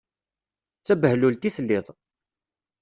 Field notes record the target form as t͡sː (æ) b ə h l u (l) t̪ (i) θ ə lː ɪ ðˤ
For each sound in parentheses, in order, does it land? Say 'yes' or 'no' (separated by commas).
yes, yes, yes